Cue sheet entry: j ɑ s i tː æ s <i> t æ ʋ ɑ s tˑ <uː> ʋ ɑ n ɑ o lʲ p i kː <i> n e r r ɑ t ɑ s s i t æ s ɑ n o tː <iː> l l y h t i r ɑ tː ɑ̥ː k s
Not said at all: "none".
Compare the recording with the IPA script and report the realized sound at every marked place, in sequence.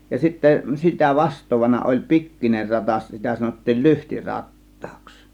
i, oː, i, iː

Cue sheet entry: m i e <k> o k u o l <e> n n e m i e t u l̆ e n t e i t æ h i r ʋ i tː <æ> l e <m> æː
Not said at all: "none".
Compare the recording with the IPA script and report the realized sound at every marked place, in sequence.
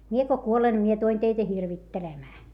k, e, e, m

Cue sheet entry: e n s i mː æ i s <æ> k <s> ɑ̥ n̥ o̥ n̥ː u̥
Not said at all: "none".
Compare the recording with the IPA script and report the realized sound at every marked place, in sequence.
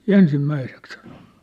e, s

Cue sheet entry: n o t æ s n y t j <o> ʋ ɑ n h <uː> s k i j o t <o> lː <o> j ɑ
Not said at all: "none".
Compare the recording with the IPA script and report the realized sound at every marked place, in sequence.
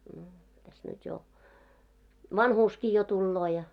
o, uː, u, oː

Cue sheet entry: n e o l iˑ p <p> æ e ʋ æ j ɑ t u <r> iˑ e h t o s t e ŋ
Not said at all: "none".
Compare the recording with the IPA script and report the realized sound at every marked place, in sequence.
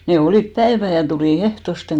p, l

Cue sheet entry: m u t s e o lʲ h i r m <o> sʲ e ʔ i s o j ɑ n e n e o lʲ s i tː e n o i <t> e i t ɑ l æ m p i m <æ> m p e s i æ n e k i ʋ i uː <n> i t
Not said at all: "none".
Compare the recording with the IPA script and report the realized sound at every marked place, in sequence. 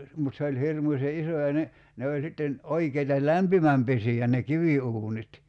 u, k, æ, n

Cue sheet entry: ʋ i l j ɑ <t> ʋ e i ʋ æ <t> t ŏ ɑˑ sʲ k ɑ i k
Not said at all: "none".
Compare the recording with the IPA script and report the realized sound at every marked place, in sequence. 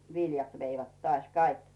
t, t

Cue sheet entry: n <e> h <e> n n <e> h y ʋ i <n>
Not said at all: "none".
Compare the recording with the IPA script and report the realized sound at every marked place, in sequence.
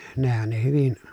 e, æ, e, n

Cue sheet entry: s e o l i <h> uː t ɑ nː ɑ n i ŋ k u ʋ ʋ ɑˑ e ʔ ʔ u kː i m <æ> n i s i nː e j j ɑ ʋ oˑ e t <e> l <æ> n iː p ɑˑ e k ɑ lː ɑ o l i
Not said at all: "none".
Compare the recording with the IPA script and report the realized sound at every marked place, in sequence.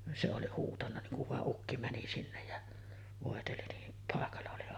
h, æ, e, i

